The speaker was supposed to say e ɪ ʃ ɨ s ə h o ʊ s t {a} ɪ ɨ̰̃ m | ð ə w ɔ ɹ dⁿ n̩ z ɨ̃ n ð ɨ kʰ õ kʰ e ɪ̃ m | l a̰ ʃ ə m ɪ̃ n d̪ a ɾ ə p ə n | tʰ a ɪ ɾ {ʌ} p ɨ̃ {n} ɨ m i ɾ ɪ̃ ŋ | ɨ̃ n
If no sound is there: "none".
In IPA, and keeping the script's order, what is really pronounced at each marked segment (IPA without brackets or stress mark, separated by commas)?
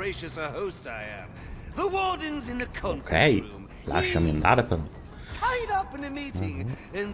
a, ʌ, n